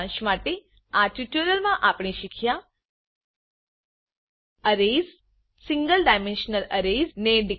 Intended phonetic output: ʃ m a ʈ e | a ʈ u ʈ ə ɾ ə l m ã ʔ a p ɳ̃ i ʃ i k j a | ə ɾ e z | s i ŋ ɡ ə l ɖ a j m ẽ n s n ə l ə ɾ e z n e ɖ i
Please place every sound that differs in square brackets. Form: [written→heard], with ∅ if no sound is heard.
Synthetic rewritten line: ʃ m a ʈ e | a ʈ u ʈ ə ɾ ə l m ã ʔ a p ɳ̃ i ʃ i [k→kʰ] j a | ə ɾ e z | s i ŋ ɡ ə l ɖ a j m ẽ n [s→ʃ] n ə l ə ɾ e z n e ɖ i